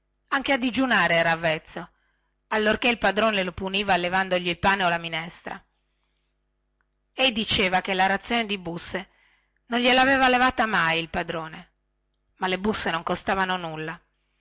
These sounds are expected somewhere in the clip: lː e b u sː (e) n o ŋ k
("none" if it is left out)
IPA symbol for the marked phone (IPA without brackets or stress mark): e